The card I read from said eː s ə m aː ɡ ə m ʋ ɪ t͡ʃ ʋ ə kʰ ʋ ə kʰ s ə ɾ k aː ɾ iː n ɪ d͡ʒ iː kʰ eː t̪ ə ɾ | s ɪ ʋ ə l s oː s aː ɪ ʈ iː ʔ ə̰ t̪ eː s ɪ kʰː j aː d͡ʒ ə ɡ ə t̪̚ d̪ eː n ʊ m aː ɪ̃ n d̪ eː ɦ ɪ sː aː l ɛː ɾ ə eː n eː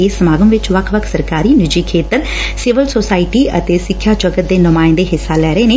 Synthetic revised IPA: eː s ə m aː ɡ ə m ʋ ɪ t͡ʃ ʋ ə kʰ ʋ ə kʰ s ə ɾ k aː ɾ iː n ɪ d͡ʒ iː kʰ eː t̪ ə ɾ | s ɪ ʋ ə l s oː s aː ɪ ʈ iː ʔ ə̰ t̪ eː s ɪ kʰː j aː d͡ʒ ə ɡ ə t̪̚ d̪ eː n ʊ m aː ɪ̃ n d̪ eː ɦ ɪ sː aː l ɛː ɾ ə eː n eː